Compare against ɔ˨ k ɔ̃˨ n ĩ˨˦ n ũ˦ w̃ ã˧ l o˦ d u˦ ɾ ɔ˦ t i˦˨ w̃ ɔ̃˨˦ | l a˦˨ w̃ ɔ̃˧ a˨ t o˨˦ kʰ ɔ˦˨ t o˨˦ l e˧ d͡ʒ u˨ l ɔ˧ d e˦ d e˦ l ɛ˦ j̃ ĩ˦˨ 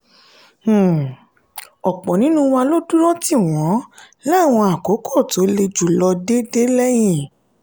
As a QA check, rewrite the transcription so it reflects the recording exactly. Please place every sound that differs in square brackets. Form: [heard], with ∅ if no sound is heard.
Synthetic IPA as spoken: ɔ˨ [k͡p] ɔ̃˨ n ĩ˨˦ n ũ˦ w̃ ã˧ l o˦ d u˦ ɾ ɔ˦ t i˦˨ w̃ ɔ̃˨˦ | l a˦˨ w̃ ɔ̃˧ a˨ [k] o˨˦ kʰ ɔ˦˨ t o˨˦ l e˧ d͡ʒ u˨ l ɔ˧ d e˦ d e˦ l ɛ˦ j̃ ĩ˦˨